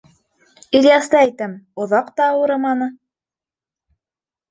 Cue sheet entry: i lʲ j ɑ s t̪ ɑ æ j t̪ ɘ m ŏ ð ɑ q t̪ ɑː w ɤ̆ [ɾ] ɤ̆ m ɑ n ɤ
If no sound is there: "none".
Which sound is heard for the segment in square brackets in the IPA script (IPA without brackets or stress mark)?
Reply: ɾ